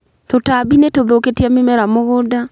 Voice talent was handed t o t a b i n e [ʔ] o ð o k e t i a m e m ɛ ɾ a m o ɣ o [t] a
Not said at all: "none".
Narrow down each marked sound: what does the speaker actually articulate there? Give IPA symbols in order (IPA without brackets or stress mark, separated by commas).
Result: t, d